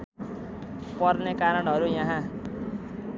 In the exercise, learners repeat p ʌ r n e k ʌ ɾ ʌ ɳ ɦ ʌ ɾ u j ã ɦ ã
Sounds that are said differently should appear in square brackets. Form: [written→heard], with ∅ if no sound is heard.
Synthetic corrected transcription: p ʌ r n e k [ʌ→a] ɾ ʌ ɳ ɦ ʌ ɾ u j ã ɦ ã